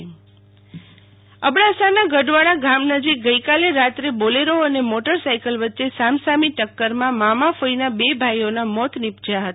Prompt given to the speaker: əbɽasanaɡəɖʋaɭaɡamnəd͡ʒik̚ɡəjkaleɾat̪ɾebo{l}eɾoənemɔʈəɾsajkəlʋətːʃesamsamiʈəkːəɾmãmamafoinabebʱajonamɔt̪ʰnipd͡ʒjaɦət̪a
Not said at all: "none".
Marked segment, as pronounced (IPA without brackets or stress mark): l